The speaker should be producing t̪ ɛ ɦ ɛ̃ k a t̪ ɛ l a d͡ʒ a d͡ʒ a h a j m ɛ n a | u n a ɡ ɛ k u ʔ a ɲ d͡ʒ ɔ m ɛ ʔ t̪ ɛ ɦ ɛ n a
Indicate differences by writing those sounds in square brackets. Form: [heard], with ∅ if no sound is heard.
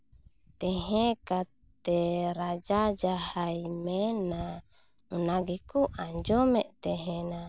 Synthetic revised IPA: t̪ ɛ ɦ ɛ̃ k a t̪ ɛ [ɾ] a d͡ʒ a d͡ʒ a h a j m ɛ n a | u n a ɡ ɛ k u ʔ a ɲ d͡ʒ ɔ m ɛ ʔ t̪ ɛ ɦ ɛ n a